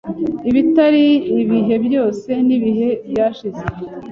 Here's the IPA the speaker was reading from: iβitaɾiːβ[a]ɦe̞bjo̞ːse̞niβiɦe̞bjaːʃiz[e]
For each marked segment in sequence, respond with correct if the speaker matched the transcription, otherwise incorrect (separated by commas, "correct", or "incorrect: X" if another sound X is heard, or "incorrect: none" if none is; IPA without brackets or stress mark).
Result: incorrect: i, correct